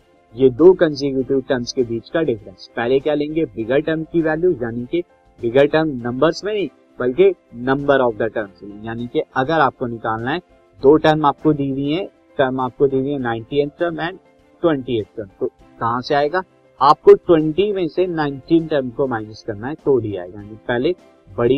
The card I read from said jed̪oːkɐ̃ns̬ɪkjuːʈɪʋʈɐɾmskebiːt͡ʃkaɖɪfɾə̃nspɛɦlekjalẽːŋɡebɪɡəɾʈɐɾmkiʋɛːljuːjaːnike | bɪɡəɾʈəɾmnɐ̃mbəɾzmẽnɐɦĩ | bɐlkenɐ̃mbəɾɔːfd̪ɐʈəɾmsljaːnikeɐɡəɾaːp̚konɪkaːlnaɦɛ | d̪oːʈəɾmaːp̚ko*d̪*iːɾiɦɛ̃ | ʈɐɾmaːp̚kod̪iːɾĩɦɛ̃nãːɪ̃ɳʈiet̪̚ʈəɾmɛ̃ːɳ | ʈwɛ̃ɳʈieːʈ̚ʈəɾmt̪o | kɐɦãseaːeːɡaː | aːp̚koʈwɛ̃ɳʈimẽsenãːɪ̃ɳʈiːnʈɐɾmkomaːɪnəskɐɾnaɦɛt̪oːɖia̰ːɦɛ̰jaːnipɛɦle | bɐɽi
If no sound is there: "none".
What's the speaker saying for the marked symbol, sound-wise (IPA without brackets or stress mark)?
d̪